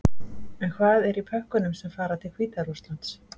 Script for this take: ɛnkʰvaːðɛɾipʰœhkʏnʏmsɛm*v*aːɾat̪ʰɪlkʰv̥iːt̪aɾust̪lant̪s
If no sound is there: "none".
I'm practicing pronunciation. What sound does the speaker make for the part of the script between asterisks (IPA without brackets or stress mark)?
f